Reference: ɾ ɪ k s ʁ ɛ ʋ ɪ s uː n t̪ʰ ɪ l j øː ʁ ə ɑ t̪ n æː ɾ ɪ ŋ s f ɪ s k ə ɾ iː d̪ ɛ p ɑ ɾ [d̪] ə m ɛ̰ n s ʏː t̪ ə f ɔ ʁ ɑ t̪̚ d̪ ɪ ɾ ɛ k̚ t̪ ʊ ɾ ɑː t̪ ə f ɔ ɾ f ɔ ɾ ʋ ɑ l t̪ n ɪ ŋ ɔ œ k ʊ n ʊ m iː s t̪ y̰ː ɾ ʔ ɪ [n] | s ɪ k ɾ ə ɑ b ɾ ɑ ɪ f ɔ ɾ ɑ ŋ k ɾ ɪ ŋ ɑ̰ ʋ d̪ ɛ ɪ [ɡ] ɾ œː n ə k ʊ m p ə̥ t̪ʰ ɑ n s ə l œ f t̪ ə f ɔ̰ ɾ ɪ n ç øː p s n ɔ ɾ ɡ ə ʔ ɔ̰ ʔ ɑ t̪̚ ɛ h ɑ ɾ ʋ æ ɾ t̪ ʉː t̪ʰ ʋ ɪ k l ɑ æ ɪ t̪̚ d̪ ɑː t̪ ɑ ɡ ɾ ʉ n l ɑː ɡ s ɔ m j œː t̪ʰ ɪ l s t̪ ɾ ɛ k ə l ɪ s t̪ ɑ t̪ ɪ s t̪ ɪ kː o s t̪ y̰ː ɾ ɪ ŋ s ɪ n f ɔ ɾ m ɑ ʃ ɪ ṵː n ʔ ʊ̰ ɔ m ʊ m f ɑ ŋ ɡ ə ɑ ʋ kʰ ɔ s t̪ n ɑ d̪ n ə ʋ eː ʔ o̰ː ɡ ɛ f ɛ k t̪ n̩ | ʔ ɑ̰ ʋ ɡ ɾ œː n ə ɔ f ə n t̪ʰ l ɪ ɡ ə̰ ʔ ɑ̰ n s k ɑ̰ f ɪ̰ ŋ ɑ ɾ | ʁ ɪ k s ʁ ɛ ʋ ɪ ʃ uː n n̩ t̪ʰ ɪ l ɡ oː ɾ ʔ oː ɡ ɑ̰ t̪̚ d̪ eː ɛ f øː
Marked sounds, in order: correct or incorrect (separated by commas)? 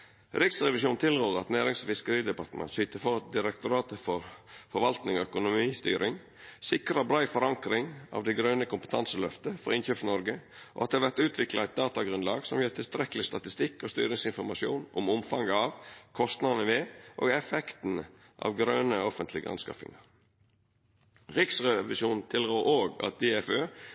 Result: incorrect, incorrect, correct